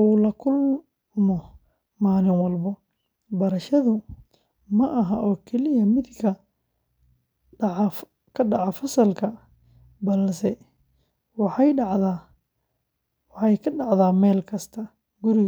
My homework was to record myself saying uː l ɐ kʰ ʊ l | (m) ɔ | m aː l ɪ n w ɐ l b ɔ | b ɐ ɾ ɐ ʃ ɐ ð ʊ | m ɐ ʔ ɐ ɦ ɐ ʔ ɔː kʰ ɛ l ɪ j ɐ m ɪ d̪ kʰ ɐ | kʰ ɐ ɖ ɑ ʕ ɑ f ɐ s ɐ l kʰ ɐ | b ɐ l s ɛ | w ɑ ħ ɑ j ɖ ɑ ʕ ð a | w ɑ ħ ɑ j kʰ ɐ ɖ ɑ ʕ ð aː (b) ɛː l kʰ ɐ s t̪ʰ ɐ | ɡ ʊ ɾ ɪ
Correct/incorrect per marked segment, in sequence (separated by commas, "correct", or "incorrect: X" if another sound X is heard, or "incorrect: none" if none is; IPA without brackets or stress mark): correct, incorrect: m